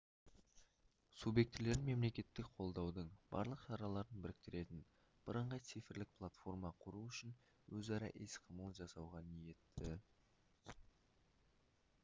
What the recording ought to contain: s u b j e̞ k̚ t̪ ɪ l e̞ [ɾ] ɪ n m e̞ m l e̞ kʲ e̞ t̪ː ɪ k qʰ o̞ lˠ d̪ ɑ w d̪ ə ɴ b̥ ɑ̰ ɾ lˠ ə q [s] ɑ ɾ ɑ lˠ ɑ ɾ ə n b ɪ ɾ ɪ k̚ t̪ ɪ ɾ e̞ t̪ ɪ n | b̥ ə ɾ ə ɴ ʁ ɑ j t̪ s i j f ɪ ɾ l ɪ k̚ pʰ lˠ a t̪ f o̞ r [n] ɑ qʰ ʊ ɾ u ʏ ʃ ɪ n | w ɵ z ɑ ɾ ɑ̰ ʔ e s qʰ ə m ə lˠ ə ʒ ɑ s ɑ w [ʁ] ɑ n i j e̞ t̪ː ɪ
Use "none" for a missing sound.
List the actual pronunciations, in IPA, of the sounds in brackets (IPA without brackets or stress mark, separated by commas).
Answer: ɾ, ʃ, m, ʁ